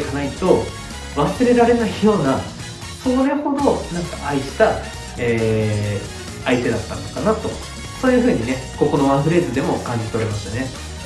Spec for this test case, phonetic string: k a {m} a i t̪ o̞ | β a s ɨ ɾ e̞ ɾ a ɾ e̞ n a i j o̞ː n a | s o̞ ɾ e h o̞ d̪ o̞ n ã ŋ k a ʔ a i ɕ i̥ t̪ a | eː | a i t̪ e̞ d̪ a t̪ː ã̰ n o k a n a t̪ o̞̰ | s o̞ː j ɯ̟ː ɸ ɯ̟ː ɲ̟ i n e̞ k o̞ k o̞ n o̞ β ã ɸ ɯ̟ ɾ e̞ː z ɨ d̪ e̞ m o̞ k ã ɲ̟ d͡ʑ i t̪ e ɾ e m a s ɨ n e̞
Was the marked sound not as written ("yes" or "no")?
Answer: yes